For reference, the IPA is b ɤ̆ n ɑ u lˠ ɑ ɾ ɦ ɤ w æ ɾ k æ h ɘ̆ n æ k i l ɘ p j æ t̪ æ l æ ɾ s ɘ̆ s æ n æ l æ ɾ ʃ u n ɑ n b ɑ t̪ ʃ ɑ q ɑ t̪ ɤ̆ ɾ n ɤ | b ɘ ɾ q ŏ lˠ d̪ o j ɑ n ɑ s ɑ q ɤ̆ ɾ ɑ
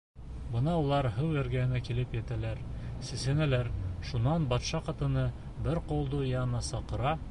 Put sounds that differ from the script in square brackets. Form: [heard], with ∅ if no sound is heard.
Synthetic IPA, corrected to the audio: b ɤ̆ n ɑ u lˠ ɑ ɾ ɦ ɤ w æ ɾ [ɡ] æ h ɘ̆ n æ k i l ɘ p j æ t̪ æ l æ ɾ s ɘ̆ s æ n æ l æ ɾ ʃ u n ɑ n b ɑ t̪ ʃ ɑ q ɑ t̪ ɤ̆ [∅] n ɤ | b ɘ ɾ q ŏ lˠ d̪ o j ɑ n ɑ s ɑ q ɤ̆ ɾ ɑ